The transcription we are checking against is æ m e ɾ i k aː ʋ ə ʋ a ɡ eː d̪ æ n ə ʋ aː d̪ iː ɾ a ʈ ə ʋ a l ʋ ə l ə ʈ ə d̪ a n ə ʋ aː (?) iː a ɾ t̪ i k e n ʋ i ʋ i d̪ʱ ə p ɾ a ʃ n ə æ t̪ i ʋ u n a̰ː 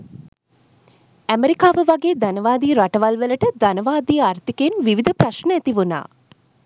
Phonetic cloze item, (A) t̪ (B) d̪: B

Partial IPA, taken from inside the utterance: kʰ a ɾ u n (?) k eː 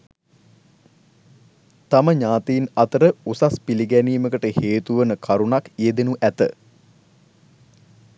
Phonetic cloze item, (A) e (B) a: B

